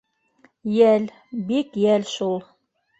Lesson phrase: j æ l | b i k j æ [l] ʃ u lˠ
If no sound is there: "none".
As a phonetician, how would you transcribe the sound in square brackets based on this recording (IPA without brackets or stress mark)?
l